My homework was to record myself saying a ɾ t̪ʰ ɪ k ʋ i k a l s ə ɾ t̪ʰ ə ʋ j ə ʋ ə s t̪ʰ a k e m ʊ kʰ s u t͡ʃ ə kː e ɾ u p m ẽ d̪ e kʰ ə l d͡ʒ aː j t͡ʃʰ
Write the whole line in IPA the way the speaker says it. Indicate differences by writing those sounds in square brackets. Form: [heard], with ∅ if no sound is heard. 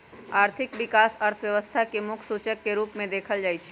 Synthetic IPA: a ɾ t̪ʰ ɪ k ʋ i k a [∅] s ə ɾ t̪ʰ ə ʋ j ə ʋ ə s t̪ʰ a k e m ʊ kʰ s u t͡ʃ ə kː e ɾ u p m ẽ d̪ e kʰ ə l d͡ʒ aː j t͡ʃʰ

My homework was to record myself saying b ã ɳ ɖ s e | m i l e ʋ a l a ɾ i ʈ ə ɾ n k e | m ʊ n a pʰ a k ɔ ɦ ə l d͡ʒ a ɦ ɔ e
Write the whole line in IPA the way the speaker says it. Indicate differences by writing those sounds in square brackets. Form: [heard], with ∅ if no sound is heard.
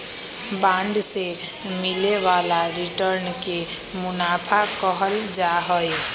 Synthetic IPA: b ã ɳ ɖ s e | m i l e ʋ a l a ɾ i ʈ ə ɾ n k e | m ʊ n a pʰ a k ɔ ɦ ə l d͡ʒ a ɦ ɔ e

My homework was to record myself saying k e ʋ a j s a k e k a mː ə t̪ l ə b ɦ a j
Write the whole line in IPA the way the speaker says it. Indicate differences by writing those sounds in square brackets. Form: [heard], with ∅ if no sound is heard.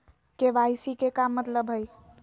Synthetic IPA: k e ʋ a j s [i] k e k a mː ə t̪ l ə b ɦ [ə] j

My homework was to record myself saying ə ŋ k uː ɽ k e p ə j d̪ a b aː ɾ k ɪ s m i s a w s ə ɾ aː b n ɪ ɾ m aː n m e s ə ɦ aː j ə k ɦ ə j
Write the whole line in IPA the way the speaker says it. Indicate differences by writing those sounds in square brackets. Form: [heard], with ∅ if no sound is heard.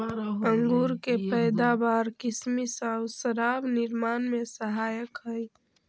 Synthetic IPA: ə ŋ [ɡ] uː [ɾ] k e p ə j d̪ a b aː ɾ k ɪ s m i s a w s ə ɾ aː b n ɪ ɾ m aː n m e s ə ɦ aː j ə k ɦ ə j

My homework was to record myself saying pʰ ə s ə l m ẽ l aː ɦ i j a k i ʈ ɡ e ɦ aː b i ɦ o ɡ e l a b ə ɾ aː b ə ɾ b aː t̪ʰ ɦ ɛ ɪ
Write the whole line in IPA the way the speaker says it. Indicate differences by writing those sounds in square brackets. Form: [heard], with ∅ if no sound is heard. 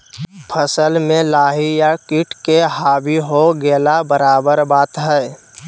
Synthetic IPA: pʰ ə s ə l m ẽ l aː ɦ i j a k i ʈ [k] e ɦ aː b i ɦ o ɡ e l a b ə ɾ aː b ə ɾ b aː [t̪] ɦ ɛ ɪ

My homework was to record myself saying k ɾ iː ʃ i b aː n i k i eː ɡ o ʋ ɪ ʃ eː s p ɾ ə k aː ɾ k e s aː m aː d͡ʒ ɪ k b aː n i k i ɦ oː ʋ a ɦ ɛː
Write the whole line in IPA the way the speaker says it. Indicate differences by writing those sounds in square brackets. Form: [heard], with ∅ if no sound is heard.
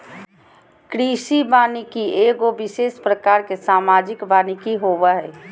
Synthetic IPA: k ɾ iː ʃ i b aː n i k i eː ɡ o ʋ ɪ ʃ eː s p ɾ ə k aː ɾ k e s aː m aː d͡ʒ ɪ k b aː n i k i ɦ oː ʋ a ɦ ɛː

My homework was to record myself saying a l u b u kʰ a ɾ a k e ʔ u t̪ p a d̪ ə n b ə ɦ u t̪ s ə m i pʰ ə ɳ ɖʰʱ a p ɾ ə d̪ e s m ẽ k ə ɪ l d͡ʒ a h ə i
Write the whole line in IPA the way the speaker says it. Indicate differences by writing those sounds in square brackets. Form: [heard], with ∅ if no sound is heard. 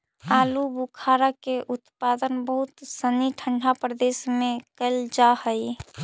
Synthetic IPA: a l u b u kʰ a ɾ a k e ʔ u t̪ p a d̪ ə n b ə ɦ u t̪ s ə [n] i [ʈʰ] ə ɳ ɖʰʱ a p ɾ ə d̪ e s m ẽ k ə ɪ l d͡ʒ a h ə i

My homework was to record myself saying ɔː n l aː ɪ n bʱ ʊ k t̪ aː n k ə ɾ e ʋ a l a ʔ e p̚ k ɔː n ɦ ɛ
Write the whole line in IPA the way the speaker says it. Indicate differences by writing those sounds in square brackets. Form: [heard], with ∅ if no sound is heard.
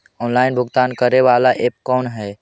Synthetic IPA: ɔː n l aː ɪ n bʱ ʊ [ɡ] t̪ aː n k ə ɾ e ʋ a l a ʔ e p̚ k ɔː n ɦ ɛ

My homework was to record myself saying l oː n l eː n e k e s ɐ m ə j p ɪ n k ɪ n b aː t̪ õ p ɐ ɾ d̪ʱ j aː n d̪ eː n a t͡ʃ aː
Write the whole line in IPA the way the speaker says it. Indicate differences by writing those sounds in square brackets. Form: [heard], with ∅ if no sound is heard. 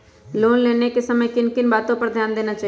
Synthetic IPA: l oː n l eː n e k e s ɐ m ə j [k] ɪ n k ɪ n b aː t̪ õ p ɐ ɾ d̪ʱ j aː n d̪ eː n a t͡ʃ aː

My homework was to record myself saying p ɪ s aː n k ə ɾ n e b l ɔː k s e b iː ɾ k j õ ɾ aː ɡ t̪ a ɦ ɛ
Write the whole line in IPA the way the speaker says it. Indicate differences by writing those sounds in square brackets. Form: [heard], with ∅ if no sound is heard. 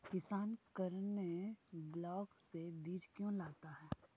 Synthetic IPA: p ɪ s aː n k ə ɾ n e b l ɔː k s e b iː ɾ k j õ [l] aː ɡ t̪ a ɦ [ɛː]

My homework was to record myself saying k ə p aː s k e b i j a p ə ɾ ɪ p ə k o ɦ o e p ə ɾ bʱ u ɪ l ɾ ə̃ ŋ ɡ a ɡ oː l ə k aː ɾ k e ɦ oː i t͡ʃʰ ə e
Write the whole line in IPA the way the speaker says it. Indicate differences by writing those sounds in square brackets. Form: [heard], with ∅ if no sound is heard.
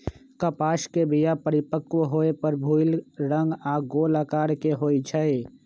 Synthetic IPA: k ə p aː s k e b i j a p ə ɾ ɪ p ə k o ɦ o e p ə ɾ bʱ u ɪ l ɾ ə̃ ŋ ɡ a ɡ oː l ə k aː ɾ k e ɦ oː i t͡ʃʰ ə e

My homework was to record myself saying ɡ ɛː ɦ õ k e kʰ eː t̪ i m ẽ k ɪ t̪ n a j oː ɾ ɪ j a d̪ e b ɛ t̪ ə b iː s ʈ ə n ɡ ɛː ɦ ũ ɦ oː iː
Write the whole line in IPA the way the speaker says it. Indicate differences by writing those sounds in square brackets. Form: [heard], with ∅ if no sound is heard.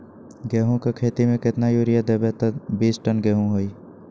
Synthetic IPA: ɡ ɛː ɦ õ k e kʰ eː t̪ i m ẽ k ɪ t̪ n a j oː ɾ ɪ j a d̪ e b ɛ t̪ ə b iː s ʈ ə n ɡ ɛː ɦ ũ ɦ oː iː

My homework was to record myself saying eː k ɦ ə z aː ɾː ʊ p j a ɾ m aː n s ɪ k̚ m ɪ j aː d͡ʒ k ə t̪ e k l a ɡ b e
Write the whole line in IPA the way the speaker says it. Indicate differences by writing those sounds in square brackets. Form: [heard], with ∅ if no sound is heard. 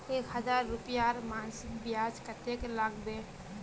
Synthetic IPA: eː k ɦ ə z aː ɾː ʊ p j a ɾ m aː n s ɪ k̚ [b] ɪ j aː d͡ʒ k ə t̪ e k l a ɡ b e

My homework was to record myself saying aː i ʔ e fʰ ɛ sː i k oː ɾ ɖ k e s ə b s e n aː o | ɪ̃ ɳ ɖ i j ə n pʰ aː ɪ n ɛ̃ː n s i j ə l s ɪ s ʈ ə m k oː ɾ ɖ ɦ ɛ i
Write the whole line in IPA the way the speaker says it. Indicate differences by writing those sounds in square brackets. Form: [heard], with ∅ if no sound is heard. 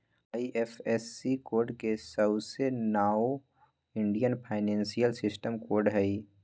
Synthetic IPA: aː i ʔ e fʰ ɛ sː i k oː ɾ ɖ k e s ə b s e n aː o | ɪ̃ ɳ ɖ i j ə n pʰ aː ɪ n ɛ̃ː n s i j ə l s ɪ s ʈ ə m k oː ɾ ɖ ɦ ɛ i

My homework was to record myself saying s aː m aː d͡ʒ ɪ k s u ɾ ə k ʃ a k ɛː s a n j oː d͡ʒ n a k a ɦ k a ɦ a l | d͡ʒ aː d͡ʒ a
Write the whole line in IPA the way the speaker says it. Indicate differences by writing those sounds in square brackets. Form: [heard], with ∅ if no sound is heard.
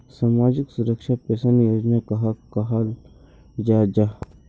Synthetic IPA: s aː m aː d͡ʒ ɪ k s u ɾ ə k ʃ a [p] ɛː s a n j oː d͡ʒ n a k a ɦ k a ɦ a l | d͡ʒ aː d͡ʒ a

